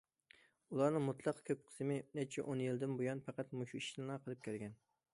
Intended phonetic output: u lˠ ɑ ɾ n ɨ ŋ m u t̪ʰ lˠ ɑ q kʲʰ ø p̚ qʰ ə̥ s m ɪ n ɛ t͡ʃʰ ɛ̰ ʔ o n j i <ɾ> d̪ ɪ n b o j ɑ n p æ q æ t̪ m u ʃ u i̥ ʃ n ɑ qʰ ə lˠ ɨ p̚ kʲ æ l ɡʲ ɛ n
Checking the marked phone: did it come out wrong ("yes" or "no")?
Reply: yes